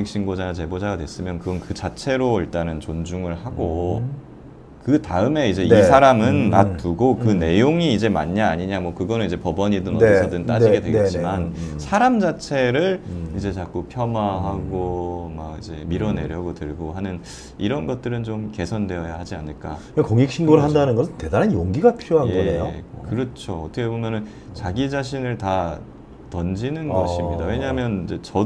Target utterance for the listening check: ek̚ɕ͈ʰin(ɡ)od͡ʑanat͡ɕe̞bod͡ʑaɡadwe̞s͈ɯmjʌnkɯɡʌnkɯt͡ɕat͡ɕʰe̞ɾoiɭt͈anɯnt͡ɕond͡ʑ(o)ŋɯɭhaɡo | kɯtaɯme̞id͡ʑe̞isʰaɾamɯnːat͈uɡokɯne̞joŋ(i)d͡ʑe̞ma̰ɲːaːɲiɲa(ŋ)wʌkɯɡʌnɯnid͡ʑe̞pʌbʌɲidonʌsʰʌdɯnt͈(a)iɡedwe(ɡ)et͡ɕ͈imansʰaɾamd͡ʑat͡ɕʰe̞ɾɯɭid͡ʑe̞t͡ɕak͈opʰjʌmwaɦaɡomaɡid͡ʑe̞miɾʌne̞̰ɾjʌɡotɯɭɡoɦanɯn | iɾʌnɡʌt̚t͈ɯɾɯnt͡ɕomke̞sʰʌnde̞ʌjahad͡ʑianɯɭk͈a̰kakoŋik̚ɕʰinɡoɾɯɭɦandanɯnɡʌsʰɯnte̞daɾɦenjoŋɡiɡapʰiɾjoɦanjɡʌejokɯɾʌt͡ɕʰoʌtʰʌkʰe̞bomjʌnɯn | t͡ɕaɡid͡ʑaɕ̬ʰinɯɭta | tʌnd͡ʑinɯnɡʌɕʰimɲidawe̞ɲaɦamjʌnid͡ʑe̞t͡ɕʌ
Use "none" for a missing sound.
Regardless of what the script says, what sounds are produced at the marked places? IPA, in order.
ɡ, u, iː, m, a, ɡ

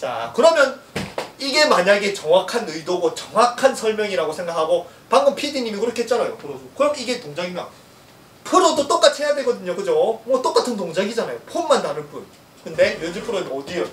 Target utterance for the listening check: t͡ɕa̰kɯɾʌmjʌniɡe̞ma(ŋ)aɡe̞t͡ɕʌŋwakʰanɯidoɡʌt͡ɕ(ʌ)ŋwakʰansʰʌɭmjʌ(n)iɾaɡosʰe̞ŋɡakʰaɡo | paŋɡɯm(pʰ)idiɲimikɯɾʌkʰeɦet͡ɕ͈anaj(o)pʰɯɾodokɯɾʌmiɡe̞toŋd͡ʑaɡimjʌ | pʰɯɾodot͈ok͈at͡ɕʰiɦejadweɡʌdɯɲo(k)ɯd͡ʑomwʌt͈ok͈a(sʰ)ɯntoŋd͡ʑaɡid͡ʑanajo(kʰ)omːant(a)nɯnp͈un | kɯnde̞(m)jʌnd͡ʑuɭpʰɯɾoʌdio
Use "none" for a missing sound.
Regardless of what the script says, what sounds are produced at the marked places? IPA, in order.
ɲ, ʌ, ŋ, pʰ, o, k, tʰ, pʰ, a, m

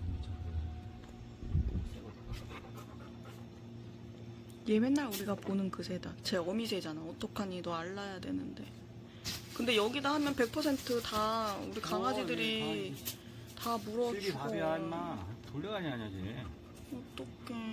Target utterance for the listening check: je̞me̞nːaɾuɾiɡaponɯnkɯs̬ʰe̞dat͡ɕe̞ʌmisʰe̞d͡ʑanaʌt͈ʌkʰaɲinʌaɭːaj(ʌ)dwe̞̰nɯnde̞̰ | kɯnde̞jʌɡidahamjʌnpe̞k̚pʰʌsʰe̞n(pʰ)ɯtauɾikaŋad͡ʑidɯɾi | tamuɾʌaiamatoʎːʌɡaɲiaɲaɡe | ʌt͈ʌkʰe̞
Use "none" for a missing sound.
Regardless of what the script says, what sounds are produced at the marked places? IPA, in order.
a, tʰ

